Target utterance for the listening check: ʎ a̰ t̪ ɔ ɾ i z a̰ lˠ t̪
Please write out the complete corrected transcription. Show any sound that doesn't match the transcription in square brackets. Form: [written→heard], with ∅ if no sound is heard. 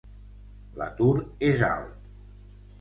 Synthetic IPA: [ʎ→l] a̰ t̪ [ɔ→u] ɾ [i→e] z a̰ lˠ t̪